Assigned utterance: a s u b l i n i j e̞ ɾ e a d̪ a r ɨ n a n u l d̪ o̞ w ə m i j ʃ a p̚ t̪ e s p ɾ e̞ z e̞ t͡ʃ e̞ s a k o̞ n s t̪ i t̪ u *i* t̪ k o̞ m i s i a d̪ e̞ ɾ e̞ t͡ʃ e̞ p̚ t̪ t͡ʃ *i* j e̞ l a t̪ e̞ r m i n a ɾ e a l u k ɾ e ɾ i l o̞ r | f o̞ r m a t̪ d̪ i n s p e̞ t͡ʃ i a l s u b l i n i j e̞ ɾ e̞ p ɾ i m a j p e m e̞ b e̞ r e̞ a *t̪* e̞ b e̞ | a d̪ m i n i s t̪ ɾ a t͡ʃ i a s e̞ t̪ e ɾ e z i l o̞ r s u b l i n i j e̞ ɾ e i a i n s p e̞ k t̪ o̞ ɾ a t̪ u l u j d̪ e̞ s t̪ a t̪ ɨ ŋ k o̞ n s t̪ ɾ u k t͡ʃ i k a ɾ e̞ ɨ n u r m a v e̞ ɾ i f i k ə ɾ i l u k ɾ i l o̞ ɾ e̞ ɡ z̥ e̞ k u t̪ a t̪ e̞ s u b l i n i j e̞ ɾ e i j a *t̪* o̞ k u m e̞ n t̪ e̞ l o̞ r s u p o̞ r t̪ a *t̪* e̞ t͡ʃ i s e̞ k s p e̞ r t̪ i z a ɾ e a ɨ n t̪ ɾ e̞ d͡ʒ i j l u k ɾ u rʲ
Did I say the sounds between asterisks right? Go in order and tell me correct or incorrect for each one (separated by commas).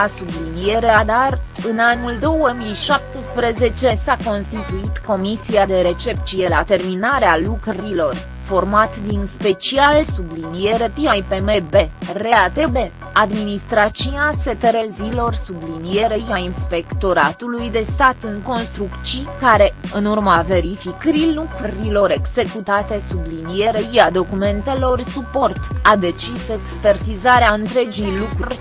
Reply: correct, correct, correct, incorrect, incorrect